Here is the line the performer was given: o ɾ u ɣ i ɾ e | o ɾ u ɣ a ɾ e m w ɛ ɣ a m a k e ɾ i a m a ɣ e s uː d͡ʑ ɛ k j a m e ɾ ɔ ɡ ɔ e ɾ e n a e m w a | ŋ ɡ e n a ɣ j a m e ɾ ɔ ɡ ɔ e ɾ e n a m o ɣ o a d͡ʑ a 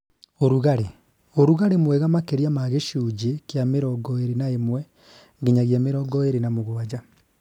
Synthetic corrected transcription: o ɾ u ɣ a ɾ e | o ɾ u ɣ a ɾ e m w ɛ ɣ a m a k e ɾ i a m a ɣ e ʃ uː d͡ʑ e k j a m e ɾ ɔ ɡ ɔ e ɾ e n a e m w ɛ | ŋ ɡ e ɲ a ɣ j a m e ɾ ɔ ɡ ɔ e ɾ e n a m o ɣ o a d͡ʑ a